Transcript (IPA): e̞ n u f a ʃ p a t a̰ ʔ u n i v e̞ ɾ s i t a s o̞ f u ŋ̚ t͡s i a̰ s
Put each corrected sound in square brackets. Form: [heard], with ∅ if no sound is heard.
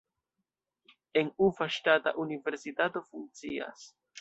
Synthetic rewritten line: e̞ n u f a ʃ [t] a t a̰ ʔ u n i v e̞ ɾ s i t a [t] o̞ f u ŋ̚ t͡s i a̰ s